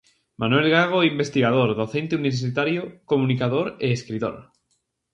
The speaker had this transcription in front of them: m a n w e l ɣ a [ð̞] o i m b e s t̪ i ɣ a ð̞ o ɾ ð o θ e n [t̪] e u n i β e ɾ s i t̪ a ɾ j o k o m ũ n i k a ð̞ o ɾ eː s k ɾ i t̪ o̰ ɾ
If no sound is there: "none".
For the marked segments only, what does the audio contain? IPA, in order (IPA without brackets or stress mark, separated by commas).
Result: ɣ̞, t̪